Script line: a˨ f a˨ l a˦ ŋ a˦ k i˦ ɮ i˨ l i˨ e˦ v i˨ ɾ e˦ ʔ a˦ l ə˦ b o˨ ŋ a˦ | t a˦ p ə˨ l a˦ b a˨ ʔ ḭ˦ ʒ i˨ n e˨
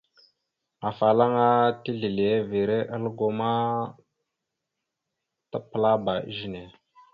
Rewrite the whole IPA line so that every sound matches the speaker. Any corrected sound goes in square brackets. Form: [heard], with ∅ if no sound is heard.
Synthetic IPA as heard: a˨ f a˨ l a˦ ŋ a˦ [t] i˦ ɮ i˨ l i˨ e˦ v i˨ ɾ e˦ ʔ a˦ l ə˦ [ɡ] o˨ [m] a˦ | t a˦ p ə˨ l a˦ b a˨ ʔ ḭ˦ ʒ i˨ n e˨